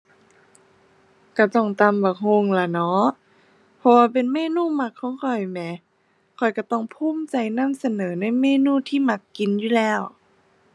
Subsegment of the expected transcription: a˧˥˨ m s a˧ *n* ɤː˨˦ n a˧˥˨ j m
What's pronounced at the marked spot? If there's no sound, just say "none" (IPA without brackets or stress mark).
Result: n